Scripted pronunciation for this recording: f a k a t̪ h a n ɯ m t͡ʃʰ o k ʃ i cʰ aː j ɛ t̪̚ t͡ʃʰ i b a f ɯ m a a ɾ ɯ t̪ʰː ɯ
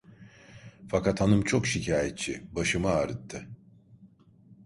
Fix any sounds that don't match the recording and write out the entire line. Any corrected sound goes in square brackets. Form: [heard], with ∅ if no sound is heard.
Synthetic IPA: f a k a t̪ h a n ɯ m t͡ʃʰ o k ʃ i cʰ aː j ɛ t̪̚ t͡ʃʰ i b a [ʃ] ɯ m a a ɾ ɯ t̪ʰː ɯ